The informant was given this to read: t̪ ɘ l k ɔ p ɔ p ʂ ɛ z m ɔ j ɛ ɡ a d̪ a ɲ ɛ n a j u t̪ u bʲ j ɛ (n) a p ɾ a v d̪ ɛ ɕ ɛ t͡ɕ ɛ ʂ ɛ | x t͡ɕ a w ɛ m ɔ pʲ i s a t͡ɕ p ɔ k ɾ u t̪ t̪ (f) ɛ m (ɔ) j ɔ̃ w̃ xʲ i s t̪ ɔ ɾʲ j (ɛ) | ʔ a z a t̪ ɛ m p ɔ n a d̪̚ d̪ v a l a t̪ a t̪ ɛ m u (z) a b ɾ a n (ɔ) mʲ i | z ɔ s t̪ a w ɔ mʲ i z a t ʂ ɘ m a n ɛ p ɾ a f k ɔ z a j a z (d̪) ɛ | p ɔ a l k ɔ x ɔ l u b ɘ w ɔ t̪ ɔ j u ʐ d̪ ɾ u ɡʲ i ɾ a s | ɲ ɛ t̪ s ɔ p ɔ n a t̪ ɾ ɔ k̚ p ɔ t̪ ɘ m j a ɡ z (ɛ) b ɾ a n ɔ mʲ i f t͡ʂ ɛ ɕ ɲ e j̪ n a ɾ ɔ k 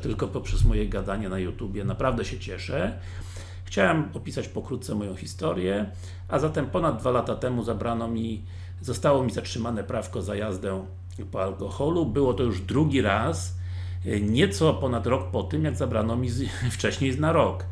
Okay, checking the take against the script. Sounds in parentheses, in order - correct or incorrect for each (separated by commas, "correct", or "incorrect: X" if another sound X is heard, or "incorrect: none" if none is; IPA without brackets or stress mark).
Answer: correct, incorrect: s, correct, correct, correct, correct, correct, incorrect: a